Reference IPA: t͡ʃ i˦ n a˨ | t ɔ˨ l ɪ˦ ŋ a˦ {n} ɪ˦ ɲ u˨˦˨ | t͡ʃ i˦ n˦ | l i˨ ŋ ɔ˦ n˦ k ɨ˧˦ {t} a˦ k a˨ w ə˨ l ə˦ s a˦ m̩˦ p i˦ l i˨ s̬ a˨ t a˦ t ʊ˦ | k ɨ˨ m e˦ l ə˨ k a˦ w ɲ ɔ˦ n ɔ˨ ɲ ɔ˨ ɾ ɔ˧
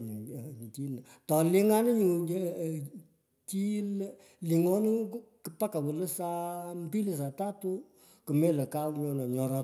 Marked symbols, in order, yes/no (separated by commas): yes, no